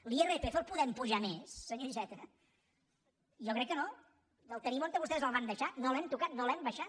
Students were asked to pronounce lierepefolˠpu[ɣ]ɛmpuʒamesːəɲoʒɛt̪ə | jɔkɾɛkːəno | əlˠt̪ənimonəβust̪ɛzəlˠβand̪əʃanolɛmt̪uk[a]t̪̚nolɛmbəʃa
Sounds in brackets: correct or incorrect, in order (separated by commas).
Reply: incorrect, correct